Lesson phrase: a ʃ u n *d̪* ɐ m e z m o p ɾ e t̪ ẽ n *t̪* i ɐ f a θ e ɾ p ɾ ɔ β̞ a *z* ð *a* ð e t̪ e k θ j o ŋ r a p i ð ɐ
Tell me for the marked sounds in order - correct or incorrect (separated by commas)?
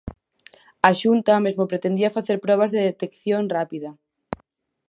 incorrect, incorrect, correct, incorrect